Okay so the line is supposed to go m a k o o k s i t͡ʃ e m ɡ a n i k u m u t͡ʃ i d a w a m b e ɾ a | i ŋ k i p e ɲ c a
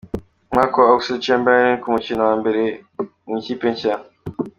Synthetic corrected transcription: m a k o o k s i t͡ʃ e m b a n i k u m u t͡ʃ i n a w a m b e ɾ e | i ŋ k i p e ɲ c a